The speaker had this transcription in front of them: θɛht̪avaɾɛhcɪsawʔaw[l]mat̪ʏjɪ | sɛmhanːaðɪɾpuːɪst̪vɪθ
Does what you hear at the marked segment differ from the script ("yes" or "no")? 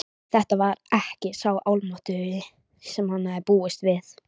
no